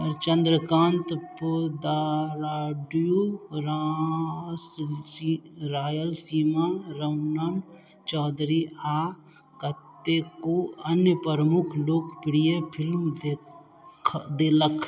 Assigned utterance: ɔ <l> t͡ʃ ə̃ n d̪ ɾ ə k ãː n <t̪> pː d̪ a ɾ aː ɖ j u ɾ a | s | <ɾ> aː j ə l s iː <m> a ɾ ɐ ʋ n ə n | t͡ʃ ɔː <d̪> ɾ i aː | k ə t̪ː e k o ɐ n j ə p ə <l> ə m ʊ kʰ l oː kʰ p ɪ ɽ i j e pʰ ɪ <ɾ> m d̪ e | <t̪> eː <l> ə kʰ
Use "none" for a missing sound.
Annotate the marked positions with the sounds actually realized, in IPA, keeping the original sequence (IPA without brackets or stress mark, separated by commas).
ɾ, t̪, ɾ, m, d̪, ɾ, l, d̪, l